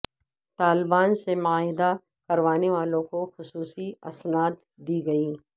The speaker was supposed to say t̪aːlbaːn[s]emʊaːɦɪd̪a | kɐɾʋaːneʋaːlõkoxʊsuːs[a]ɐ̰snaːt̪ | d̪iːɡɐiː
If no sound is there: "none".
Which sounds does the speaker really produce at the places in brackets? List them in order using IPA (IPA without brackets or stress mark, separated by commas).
s, i